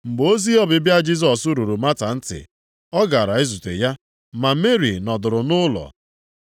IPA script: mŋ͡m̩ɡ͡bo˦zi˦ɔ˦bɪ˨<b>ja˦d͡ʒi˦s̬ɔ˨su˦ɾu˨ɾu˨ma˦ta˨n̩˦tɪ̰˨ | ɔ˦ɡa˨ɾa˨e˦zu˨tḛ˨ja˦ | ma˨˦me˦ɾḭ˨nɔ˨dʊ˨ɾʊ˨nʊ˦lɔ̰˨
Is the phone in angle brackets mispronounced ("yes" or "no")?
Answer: no